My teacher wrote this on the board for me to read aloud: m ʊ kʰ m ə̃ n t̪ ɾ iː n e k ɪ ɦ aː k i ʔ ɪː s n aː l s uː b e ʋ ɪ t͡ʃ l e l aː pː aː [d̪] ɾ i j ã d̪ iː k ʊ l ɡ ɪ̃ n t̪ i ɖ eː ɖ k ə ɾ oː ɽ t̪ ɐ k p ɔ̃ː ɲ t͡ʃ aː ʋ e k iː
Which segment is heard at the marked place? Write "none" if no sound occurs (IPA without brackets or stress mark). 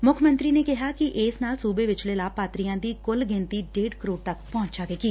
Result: t̪